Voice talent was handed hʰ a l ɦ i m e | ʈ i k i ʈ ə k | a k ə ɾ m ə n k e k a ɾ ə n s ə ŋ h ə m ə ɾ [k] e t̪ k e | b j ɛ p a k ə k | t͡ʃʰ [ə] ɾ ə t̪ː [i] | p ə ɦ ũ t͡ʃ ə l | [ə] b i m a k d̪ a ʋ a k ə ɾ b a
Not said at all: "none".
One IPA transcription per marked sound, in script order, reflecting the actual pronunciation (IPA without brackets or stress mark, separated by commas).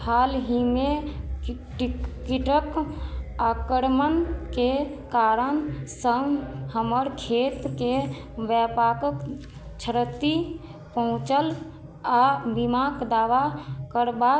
kʰ, ə, i, a